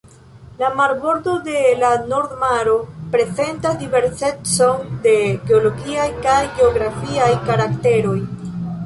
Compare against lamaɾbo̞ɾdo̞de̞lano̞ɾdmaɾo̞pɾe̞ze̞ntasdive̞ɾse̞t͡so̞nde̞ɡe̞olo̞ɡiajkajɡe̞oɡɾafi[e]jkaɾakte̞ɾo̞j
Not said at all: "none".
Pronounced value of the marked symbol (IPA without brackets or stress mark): a